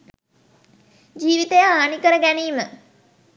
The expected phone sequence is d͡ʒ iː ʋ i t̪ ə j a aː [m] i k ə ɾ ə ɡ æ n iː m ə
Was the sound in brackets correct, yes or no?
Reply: no